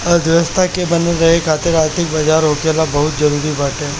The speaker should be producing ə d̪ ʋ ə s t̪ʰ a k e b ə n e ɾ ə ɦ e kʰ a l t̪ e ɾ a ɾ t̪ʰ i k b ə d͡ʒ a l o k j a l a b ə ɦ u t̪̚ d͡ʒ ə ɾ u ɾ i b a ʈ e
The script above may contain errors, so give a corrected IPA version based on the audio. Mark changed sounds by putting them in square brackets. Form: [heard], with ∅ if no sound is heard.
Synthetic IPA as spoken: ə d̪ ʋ ə s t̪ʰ a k e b ə n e ɾ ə ɦ e kʰ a [∅] t̪ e ɾ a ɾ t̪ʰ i k b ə d͡ʒ a [ɾ] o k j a l a b ə ɦ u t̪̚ d͡ʒ ə ɾ u ɾ i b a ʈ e